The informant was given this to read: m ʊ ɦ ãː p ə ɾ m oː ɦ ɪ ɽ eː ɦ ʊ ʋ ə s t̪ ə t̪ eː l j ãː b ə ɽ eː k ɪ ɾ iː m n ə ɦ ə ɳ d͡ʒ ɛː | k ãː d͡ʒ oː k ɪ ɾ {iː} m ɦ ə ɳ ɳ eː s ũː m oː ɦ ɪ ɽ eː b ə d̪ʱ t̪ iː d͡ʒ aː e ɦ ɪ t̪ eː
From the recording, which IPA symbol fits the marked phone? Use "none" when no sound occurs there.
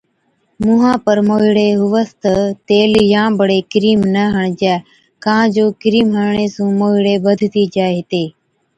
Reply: iː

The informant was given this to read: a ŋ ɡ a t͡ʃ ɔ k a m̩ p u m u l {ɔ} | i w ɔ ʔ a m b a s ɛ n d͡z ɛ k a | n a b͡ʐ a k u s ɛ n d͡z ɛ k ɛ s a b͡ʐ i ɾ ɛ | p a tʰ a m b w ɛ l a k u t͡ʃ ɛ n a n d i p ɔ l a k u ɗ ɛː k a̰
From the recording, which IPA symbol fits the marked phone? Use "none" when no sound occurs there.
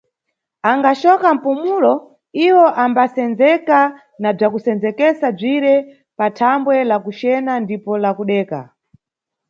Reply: ɔ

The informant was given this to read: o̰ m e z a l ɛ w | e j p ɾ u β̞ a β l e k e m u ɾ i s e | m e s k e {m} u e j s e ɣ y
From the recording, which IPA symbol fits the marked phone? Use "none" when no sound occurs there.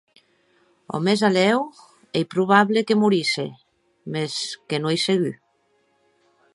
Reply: n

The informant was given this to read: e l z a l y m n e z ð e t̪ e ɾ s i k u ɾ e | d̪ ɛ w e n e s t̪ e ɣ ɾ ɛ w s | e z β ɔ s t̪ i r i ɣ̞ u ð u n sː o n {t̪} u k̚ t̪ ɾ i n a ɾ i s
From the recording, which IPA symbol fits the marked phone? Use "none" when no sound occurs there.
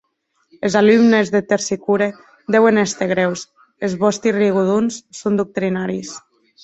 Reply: d̪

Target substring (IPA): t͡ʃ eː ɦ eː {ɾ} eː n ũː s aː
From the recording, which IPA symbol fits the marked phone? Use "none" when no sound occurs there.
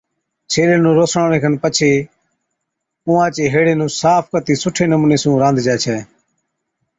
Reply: ɽ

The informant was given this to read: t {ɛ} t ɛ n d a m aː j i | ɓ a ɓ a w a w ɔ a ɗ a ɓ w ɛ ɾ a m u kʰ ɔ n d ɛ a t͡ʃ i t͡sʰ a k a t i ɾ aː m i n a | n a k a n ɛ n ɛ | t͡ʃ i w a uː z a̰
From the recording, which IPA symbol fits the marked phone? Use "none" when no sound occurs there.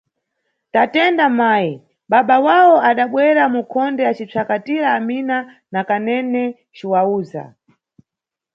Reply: a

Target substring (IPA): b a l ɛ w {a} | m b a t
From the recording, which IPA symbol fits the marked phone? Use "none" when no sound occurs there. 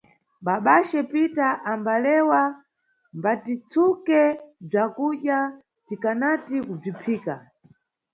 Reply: a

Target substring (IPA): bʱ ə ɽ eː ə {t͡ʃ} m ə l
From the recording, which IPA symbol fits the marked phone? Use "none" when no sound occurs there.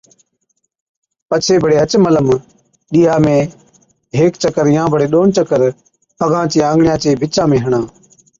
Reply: t͡ʃ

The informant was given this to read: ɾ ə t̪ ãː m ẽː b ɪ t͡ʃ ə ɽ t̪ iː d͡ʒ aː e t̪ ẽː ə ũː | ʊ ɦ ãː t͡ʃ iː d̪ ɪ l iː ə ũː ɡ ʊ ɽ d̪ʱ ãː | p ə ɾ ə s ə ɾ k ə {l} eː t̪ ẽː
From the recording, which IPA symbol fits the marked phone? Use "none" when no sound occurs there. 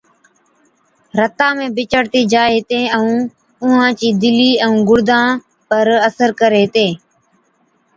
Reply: ɾ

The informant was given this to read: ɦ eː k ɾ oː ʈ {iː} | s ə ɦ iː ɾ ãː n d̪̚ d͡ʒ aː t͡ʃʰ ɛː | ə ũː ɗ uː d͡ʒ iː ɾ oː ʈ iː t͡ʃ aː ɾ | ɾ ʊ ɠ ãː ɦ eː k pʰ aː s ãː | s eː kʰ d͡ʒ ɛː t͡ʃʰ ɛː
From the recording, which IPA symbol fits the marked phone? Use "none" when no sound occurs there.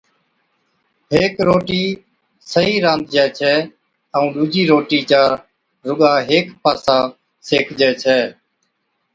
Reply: iː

